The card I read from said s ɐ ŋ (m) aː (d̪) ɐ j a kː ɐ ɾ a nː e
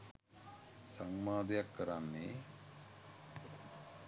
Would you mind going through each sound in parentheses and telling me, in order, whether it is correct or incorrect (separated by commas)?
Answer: correct, correct